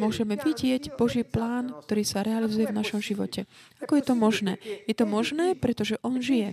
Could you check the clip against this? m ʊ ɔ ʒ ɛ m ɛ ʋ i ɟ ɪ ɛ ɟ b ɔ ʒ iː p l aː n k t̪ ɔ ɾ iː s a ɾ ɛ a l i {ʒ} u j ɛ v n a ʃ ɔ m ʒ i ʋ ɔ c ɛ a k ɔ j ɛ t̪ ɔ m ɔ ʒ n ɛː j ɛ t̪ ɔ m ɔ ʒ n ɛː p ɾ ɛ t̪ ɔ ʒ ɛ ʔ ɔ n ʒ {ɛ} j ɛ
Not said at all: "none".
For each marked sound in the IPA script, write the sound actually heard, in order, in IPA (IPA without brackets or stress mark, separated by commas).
z, i